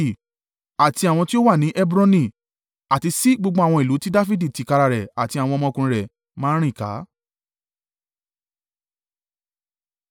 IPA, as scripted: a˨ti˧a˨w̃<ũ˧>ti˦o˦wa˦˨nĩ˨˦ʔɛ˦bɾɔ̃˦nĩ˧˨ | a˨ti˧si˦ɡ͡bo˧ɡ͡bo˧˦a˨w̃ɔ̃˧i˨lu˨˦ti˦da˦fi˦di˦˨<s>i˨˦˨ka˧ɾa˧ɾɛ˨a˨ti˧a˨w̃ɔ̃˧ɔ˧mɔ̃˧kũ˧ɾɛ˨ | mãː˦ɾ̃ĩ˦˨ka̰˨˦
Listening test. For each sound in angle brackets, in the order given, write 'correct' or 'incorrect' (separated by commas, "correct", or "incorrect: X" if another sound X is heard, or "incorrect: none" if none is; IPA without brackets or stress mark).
incorrect: ɔ̃˧, incorrect: t